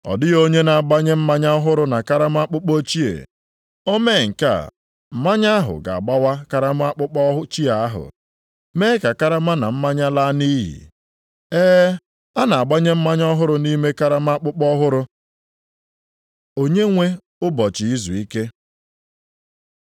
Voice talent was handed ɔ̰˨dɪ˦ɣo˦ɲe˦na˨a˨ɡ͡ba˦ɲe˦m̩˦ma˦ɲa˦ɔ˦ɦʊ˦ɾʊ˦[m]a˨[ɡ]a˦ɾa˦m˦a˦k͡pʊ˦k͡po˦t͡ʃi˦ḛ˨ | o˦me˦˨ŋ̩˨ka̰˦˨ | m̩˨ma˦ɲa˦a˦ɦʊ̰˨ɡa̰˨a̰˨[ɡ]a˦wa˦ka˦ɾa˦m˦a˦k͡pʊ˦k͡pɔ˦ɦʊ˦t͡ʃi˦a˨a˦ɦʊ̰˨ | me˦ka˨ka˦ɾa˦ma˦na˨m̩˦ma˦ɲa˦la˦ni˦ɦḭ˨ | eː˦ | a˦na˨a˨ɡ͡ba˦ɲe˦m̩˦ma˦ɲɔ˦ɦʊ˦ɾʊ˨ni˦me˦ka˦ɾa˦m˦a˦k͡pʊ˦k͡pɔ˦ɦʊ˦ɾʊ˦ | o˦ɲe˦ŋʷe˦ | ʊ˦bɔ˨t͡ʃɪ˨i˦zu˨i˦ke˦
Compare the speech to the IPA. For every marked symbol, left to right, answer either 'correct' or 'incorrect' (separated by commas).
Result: incorrect, incorrect, incorrect